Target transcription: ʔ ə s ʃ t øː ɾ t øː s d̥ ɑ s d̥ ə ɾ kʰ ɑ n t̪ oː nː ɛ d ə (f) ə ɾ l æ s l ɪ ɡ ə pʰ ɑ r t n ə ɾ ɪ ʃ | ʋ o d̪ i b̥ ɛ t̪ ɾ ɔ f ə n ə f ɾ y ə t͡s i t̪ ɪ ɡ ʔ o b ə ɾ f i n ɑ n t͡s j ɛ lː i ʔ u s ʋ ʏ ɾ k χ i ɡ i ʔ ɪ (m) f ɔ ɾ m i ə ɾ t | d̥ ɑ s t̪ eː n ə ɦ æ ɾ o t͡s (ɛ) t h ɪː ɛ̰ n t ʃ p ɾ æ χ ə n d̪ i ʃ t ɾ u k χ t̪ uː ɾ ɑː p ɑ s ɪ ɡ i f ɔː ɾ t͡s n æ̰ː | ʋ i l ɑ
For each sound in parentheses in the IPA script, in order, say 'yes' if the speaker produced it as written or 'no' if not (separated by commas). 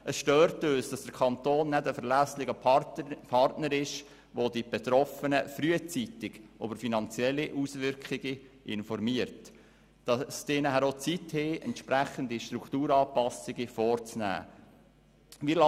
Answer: yes, no, no